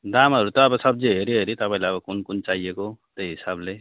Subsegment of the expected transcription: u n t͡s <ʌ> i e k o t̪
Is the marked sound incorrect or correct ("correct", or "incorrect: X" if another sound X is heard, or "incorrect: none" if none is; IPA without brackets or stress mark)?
incorrect: a